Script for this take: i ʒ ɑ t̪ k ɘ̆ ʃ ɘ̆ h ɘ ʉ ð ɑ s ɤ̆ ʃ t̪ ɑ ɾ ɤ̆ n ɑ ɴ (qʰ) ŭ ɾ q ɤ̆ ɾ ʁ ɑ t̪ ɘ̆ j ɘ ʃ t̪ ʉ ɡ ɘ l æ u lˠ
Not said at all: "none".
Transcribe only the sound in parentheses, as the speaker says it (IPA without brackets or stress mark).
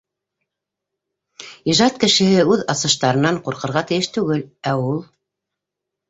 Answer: q